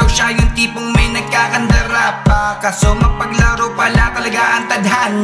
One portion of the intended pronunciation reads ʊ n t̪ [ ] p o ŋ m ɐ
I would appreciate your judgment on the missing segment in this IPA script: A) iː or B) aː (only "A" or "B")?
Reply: A